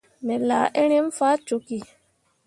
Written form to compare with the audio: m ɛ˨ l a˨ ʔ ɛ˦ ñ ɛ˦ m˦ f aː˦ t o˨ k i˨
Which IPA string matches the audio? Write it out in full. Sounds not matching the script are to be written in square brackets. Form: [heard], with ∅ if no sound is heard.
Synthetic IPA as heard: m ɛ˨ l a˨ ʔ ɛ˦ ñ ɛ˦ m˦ f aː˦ [t͡ʃ] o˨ k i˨